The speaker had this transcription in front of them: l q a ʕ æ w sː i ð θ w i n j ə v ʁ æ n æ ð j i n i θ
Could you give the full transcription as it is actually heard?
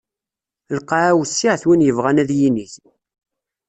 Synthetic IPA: l q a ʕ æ w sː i ʕ θ w i n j ə v ʁ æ n æ ð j i n i θ